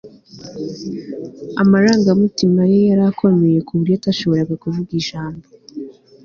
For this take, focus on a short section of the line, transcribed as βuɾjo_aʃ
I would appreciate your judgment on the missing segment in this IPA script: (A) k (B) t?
B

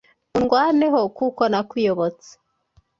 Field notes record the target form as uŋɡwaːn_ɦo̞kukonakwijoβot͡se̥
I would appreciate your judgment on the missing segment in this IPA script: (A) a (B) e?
B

